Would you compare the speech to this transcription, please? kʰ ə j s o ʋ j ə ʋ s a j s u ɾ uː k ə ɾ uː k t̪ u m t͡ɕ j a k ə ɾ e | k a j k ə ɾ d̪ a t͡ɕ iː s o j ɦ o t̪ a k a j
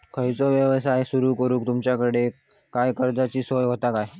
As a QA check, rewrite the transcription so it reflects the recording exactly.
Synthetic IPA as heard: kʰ ə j t͡s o ʋ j ə ʋ s a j s u ɾ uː k ə ɾ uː k t̪ u m t͡ɕ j a k ə ɽ e | k a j k ə ɾ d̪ a t͡ɕ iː s o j ɦ o t̪ a k a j